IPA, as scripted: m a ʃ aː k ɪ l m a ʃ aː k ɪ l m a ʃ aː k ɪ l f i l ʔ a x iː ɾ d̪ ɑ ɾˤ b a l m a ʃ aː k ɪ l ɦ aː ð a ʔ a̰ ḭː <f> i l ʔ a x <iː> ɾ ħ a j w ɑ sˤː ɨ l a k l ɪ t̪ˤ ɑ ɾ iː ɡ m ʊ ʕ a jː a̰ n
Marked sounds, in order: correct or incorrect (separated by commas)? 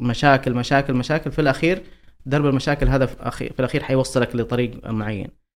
correct, correct